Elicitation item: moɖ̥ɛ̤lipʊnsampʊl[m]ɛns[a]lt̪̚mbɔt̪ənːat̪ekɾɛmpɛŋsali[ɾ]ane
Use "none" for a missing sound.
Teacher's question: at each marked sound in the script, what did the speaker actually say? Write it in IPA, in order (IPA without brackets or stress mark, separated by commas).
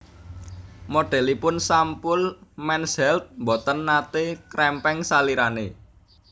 m, ɛ, ɾ